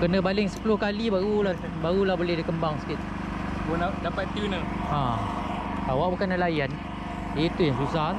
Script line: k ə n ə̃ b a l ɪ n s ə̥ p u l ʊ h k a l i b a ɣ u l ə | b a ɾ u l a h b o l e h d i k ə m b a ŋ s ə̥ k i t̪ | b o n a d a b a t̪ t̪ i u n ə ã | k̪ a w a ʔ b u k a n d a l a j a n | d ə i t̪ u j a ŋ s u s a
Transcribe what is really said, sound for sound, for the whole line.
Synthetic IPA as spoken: k ə n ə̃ b a l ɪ ŋ s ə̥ p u l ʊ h k a l i b a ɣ u l a | b a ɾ u l a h b o l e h d i k ə m b a ŋ s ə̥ k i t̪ | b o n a d a p a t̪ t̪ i u n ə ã | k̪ a w a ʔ b u k a n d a l a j a n | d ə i t̪ u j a ŋ s u s a